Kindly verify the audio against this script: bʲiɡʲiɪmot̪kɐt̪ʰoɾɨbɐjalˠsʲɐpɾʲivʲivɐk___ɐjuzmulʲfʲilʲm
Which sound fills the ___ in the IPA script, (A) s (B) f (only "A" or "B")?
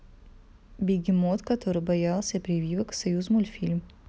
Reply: A